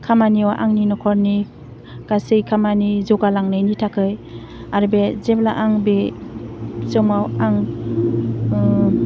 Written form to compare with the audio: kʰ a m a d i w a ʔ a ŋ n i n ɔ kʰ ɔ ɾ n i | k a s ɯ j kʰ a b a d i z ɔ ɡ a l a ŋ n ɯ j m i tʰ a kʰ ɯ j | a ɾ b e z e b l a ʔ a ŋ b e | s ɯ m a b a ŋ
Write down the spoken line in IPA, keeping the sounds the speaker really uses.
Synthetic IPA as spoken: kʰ a m a n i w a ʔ a ŋ n i n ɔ kʰ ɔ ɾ n i | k a s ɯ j kʰ a m a n i z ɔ ɡ a l a ŋ n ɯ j n i tʰ a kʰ ɯ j | a ɾ b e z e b l a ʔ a ŋ b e | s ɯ m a w a ŋ